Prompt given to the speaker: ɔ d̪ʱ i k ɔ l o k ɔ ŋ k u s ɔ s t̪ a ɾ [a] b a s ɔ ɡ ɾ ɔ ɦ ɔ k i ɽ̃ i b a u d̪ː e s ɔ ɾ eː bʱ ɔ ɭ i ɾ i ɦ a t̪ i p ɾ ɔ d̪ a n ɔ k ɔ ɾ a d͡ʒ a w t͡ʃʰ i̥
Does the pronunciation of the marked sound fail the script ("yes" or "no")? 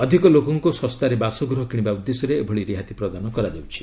yes